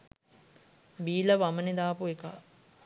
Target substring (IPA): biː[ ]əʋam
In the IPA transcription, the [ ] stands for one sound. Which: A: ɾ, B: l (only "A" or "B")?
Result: B